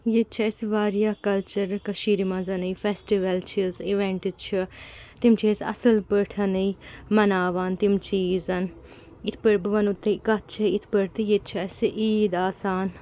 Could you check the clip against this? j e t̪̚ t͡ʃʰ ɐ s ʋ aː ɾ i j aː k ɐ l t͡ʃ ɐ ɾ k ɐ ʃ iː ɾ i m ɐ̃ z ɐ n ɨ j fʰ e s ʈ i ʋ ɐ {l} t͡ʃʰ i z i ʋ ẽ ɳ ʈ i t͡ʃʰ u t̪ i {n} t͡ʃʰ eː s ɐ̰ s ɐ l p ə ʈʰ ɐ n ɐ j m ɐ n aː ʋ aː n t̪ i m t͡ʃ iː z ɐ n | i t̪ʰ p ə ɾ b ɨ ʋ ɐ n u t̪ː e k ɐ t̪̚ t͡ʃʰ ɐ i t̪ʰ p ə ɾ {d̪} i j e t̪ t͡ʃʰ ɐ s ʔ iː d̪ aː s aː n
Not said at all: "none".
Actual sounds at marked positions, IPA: l, m, t̪

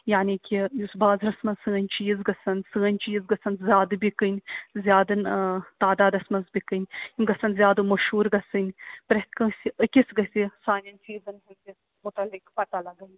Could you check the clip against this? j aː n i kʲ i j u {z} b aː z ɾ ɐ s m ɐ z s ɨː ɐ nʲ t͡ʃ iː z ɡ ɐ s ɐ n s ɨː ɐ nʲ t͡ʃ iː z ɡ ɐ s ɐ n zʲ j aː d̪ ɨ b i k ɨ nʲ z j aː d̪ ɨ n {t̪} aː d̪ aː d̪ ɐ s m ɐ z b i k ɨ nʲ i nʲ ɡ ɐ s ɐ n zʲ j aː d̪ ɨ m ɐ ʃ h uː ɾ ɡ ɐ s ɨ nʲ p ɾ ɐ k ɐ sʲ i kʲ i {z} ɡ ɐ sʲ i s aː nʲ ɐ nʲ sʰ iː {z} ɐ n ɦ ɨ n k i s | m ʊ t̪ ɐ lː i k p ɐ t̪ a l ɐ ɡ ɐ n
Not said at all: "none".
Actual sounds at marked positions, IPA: s, t̪, s, z

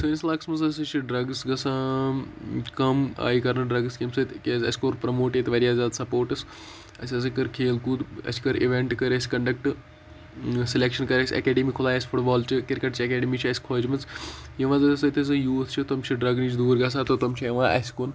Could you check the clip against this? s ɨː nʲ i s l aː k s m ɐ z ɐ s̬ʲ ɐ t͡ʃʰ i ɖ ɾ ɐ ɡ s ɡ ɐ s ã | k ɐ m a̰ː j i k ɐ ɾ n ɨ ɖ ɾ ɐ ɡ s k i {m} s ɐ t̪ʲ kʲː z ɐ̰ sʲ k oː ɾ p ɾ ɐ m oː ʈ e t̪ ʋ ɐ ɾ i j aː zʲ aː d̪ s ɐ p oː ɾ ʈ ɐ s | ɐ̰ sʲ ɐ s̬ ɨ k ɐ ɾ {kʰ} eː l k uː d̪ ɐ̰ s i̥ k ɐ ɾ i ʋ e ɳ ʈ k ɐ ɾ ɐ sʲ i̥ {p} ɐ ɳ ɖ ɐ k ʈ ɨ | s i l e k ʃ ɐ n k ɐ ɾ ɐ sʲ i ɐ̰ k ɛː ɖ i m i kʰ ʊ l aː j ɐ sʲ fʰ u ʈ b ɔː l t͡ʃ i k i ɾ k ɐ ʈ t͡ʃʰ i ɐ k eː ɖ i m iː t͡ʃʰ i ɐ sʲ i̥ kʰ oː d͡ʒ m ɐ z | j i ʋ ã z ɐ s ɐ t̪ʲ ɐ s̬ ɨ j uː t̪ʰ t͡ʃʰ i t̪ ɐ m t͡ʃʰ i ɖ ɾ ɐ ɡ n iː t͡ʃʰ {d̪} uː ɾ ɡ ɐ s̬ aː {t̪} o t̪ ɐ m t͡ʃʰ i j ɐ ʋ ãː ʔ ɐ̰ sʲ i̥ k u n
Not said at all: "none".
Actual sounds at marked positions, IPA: m, kʰ, k, d̪, t̪

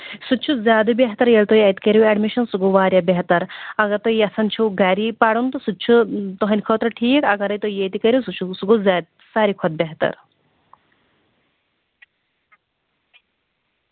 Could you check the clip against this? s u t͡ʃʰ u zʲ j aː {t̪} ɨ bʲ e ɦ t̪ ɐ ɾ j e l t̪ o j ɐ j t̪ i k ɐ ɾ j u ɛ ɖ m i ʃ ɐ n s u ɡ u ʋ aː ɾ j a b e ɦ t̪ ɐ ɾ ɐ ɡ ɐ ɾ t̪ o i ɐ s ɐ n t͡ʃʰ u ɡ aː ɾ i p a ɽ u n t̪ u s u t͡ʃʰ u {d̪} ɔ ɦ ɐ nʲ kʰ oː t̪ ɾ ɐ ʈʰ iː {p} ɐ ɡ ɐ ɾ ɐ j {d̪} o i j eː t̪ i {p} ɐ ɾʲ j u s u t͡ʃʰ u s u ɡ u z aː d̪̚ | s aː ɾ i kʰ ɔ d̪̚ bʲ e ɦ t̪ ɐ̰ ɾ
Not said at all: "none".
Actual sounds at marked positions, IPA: d̪, t̪, k, t̪, k

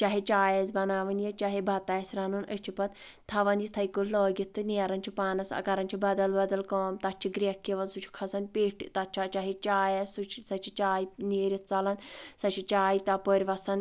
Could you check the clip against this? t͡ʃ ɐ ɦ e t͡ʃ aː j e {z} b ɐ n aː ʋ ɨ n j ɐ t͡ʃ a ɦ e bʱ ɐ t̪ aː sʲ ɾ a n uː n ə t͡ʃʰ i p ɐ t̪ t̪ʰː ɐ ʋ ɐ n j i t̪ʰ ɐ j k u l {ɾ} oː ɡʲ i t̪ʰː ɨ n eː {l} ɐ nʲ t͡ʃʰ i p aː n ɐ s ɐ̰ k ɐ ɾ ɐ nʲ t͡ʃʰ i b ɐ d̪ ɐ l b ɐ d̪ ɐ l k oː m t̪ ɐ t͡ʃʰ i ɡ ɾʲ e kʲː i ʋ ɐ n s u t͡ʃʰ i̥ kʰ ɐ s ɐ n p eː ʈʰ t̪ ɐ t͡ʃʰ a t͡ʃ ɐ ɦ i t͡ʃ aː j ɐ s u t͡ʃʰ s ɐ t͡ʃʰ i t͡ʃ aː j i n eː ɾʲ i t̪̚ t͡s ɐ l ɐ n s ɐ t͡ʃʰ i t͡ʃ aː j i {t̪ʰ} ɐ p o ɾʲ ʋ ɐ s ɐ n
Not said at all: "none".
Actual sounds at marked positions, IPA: z, l, ɾ, t̪

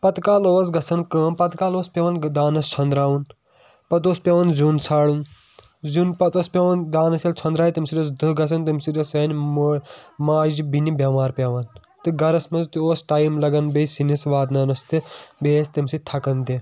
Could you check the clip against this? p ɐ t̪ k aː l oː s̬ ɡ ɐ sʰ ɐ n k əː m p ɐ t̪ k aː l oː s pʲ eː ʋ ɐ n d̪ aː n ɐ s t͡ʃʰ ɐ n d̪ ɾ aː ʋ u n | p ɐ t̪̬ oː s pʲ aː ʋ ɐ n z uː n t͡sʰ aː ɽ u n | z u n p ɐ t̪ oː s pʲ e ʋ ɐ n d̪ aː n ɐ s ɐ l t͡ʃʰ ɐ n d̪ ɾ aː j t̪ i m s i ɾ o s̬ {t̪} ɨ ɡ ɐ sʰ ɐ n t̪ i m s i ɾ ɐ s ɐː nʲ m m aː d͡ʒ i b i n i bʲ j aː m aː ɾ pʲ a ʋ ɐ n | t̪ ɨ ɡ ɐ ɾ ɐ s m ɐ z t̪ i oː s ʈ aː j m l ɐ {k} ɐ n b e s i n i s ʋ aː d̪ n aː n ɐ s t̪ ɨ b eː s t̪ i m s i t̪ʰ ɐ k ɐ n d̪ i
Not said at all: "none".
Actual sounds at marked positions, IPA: d̪, ɡ

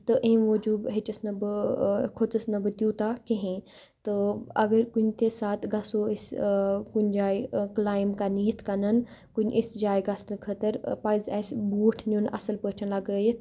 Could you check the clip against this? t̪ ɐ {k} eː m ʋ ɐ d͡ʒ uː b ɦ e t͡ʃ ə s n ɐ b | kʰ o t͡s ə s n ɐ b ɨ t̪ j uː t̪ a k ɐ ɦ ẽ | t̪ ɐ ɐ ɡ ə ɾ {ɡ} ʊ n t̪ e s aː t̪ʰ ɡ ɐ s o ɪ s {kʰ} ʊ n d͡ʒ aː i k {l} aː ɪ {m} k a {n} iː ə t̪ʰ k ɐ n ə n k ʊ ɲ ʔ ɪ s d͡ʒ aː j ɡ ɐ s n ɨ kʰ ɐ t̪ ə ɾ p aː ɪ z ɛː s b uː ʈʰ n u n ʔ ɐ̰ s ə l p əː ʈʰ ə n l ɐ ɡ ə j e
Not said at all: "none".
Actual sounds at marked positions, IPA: ʔ, k, k, l, m, n

